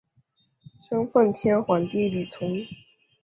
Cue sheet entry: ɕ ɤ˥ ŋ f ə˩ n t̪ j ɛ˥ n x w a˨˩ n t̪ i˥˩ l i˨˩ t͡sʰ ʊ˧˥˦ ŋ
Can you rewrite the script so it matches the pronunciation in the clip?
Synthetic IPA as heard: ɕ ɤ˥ ŋ f ə˥˩ n t̪ʰ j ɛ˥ n x w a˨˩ n t̪ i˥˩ l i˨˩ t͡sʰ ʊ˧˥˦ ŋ